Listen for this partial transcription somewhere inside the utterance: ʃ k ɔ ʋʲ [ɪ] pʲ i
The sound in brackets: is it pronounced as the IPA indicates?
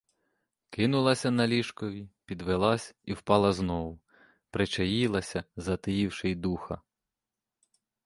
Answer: no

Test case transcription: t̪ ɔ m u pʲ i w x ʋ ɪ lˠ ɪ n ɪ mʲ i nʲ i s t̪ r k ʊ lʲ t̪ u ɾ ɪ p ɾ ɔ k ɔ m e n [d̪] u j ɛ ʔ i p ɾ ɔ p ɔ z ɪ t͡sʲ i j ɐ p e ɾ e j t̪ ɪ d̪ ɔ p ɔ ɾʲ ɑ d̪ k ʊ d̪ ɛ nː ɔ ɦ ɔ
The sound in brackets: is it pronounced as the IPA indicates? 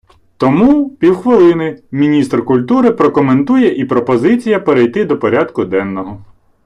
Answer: no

